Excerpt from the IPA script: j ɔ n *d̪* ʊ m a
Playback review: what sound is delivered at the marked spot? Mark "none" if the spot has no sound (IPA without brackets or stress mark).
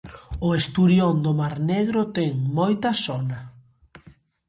d̪